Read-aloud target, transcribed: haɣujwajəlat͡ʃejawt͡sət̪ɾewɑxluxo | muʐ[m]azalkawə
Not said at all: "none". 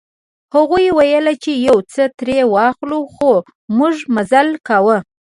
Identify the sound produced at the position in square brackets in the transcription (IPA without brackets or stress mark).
m